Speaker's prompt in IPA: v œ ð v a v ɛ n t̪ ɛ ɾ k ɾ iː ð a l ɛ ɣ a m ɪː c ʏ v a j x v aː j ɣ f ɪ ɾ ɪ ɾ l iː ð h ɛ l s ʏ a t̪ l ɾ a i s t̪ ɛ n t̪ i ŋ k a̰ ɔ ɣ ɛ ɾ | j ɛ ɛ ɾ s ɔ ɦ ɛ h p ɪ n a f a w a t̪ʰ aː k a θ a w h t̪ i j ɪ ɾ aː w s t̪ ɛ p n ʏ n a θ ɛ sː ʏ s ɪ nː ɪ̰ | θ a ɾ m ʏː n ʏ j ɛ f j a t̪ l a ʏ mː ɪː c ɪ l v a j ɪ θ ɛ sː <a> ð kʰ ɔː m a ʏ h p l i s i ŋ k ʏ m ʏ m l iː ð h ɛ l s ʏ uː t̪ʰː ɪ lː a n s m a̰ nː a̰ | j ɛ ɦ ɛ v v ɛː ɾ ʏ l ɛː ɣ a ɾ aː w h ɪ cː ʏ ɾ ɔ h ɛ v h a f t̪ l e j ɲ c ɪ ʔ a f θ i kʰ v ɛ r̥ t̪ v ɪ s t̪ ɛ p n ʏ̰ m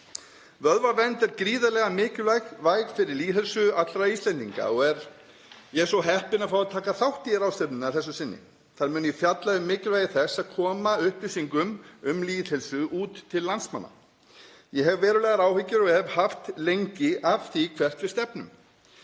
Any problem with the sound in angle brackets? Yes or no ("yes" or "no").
no